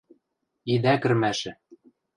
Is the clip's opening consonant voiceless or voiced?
voiced